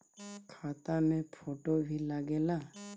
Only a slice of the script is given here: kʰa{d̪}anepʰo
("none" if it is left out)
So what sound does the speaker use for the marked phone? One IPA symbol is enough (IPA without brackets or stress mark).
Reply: t̪